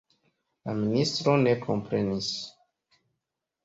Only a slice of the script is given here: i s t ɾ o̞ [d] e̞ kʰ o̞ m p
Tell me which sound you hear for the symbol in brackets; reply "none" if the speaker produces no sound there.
n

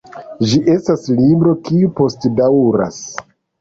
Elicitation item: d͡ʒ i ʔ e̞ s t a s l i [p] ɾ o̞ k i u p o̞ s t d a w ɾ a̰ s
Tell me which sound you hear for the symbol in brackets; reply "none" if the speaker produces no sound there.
b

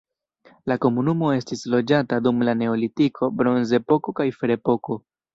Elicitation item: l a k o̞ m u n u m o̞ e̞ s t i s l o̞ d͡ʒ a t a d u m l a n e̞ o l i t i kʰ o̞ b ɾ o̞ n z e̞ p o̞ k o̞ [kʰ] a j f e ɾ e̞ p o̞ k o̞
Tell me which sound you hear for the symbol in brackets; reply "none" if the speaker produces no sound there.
k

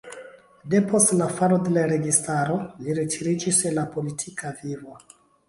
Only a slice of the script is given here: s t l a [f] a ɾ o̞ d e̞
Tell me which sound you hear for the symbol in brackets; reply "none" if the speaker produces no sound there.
f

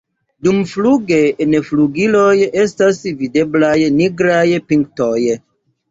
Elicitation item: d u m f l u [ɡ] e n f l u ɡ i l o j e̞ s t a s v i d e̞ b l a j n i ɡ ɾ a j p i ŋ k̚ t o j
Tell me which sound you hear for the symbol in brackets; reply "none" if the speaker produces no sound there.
ɡ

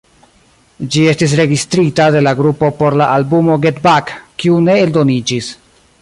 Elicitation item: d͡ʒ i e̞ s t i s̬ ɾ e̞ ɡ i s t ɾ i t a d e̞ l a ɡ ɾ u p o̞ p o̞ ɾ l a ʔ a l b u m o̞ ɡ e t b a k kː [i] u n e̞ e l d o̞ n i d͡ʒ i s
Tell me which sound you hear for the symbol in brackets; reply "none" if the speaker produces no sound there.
i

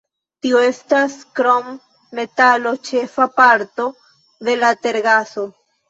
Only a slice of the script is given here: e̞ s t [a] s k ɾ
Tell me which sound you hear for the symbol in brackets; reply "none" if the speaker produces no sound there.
a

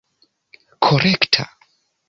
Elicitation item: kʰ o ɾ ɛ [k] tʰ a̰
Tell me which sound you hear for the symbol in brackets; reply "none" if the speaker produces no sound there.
k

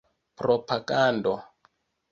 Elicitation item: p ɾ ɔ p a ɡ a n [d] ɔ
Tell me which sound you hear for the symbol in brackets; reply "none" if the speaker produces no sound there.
d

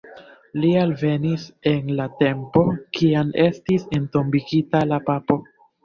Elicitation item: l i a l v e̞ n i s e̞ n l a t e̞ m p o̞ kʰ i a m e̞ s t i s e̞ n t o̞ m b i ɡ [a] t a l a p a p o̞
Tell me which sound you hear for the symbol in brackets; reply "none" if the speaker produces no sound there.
i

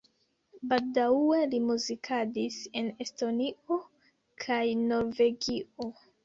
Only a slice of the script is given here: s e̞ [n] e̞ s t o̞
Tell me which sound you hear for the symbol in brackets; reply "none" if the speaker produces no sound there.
n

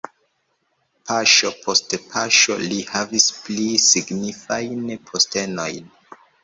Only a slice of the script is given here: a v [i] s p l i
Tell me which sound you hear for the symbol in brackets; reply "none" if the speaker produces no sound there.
i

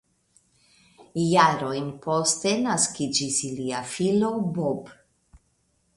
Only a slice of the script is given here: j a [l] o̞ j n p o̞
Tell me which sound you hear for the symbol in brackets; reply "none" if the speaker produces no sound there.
ɾ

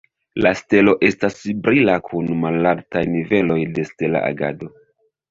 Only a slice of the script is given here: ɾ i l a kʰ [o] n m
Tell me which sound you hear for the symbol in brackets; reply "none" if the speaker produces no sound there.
u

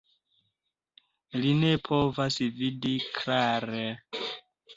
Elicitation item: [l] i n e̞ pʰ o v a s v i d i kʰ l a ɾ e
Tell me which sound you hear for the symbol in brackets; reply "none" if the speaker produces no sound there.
l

